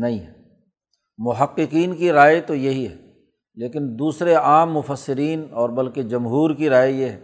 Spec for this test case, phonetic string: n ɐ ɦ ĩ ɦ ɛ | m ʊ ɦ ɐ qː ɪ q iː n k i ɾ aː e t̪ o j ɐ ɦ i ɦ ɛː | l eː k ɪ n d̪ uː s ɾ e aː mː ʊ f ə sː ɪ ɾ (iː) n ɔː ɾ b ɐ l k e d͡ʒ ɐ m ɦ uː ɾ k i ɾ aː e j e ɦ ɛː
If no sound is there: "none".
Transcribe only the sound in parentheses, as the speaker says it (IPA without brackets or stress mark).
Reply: iː